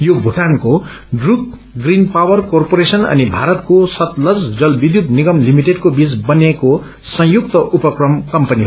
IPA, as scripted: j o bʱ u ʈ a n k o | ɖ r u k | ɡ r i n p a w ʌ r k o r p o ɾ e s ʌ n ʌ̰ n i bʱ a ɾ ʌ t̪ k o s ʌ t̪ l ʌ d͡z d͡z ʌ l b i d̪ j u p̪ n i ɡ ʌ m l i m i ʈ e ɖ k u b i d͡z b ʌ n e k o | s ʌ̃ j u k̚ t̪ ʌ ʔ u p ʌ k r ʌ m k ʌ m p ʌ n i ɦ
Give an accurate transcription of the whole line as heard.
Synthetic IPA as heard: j o bʱ u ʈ a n k o | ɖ r u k | ɡ r i n p a w ʌ r k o r p o ɾ e s ʌ n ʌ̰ n i bʱ a ɾ ʌ t̪ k o s ʌ t̪ l ʌ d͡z d͡z ʌ l b i d̪ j u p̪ n i ɡ ʌ m l i m i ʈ e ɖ k o b i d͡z b ʌ n e k o | s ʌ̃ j u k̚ t̪ ʌ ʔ u p ʌ k r ʌ m k ʌ m p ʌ n i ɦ

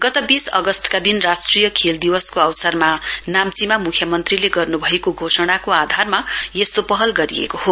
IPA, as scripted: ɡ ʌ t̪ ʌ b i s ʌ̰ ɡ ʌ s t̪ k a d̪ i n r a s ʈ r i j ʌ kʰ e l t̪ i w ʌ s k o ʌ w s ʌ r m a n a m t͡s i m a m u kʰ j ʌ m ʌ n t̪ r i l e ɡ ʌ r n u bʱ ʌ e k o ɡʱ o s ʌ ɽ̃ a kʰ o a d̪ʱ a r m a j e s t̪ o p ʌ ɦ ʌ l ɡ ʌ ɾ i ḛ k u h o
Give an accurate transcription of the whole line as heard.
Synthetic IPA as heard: ɡ ʌ t̪ ʌ b i s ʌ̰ ɡ ʌ s t̪ k a d̪ i n r a s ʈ r i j ʌ kʰ e l d̪ i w ʌ s k o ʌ w s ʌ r m a n a m t͡s i m a m u kʰ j ʌ m ʌ n t̪ r i l e ɡ ʌ r n u bʱ ʌ e k o ɡʱ o s ʌ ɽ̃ a k o a d̪ʱ a r m a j e s t̪ o p ʌ ɦ ʌ l ɡ ʌ ɾ i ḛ k o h o

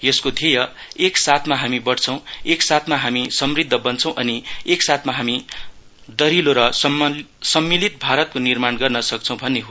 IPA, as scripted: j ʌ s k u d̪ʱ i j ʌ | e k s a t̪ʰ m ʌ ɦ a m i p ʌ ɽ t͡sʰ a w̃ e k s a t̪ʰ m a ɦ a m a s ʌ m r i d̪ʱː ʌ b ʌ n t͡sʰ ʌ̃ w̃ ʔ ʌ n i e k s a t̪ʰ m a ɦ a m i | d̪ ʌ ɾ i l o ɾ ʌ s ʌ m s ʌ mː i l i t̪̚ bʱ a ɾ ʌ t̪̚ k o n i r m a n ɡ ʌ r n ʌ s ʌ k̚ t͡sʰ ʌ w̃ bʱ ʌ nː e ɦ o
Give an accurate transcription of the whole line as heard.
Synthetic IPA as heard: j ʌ s k o d̪ʱ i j ʌ | e k s a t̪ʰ m a ɦ a m i b ʌ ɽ t͡sʰ ʌ w̃ e k s a t̪ʰ m a ɦ a m i s ʌ m r i d̪ʱː ʌ b ʌ n t͡sʰ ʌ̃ w̃ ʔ ʌ n i e k s a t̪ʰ m a ɦ a m i | d̪ ʌ ɾ i l o ɾ ʌ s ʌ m s ʌ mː i l i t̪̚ bʱ a ɾ ʌ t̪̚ k o n i r m a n ɡ ʌ r n ʌ s ʌ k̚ t͡sʰ ʌ w̃ bʱ ʌ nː e ɦ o

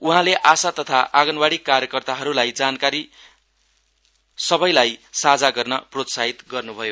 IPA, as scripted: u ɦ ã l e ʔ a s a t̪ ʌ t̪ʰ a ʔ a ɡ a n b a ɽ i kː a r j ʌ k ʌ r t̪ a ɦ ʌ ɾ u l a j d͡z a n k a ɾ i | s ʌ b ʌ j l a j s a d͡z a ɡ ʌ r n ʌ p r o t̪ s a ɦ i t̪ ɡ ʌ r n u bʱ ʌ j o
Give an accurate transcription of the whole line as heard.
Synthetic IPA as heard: u ɦ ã l e ʔ a s a t̪ ʌ t̪ʰ a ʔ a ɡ ʌ n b a ɽ i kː a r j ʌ k ʌ r t̪ a ɦ ʌ ɾ u l a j d͡z a n k a ɾ i | s ʌ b ʌ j l a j s a d͡z a ɡ ʌ r n ʌ p r o t̪ s a ɦ i t̪ ɡ ʌ r n u bʱ ʌ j o

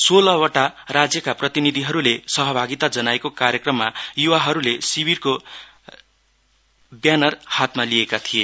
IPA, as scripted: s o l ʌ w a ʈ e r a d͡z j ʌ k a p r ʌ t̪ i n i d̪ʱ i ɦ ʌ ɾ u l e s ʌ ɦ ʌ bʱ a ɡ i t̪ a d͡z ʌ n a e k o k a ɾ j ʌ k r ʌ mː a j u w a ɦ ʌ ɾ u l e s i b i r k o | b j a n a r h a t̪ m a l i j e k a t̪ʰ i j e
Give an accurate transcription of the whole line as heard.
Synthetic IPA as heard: s o l ʌ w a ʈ a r a d͡z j ʌ k a p r ʌ t̪ i n i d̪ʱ i ɦ ʌ ɾ u l e s ʌ ɦ ʌ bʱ a ɡ i t̪ a d͡z ʌ n a e k o k a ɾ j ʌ k r ʌ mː a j u w a ɦ ʌ ɾ u l e s i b i r k o | b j a n ʌ r h a t̪ m a l i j e k a t̪ʰ i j e

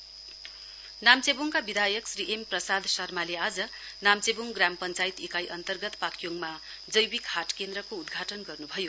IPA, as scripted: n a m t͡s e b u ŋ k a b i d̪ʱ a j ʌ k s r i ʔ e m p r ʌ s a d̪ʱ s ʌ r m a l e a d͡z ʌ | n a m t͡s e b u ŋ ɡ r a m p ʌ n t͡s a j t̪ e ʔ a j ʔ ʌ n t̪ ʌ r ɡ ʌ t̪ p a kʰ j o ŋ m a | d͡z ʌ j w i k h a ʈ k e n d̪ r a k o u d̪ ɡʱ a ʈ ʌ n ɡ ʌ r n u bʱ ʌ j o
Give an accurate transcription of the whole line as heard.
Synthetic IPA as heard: n a m t͡s e b u ŋ k a b i d̪ʱ a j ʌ k s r i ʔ e m p r ʌ s a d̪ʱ s ʌ r m a l e a d͡z ʌ | n a m t͡s e b u ŋ ɡ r a m p ʌ n t͡s a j t̪ e k a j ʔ ʌ n t̪ ʌ r ɡ ʌ t̪ p a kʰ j o ŋ m a | d͡z ʌ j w i k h a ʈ k e n d̪ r ʌ k o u d̪ ɡʱ a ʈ ʌ n ɡ ʌ r n u bʱ ʌ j o

